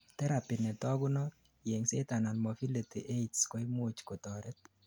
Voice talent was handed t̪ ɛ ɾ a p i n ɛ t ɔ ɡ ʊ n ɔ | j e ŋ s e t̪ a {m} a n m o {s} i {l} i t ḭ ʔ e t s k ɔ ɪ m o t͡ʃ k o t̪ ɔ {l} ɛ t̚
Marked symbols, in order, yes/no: no, no, yes, no

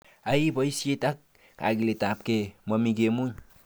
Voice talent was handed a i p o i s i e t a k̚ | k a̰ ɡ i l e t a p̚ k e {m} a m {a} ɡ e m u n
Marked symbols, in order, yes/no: yes, no

